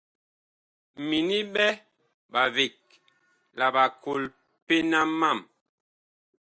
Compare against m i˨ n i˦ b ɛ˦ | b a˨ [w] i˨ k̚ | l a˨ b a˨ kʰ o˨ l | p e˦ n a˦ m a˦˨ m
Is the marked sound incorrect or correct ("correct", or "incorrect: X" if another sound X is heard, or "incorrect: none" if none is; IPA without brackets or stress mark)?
incorrect: v